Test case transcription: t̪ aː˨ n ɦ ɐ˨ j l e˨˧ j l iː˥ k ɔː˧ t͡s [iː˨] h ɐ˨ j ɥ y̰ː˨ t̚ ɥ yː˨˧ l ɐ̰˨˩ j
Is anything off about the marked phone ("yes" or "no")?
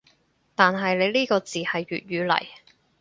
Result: no